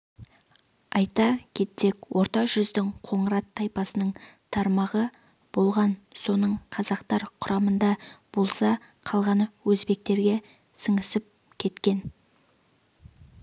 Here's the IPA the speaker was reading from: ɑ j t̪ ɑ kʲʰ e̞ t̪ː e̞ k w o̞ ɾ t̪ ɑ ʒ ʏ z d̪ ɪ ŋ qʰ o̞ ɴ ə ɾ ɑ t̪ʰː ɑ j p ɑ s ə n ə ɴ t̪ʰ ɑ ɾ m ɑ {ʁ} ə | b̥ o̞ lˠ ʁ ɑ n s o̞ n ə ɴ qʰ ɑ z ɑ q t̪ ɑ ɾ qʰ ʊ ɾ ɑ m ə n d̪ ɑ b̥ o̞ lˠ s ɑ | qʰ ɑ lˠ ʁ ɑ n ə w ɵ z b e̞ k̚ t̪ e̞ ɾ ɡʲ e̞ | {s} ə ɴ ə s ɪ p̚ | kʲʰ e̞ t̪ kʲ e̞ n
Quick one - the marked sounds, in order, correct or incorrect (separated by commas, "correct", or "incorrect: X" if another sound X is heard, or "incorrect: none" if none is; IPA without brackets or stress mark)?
correct, correct